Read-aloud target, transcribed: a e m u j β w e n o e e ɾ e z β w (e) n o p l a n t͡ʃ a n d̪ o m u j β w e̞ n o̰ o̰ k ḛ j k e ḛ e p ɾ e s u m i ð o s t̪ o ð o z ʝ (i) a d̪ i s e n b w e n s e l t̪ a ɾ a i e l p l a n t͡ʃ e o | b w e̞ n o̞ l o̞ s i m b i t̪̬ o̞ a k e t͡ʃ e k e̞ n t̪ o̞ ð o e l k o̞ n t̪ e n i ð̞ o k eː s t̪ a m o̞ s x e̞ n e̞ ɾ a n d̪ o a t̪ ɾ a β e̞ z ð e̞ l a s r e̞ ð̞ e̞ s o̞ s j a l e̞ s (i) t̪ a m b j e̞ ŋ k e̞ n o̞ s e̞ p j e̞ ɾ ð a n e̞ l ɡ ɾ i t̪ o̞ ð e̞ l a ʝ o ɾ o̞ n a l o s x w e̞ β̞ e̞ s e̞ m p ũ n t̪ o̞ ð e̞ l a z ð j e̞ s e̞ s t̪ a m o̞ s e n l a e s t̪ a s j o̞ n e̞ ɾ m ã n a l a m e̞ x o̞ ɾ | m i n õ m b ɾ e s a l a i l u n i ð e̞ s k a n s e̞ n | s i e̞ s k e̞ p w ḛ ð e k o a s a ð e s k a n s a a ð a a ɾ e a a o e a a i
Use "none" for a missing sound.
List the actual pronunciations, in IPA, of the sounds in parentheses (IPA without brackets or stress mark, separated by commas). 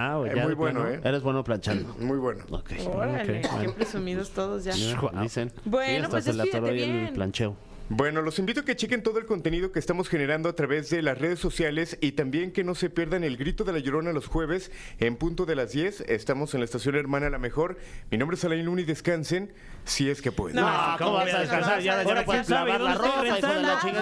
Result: e, a, i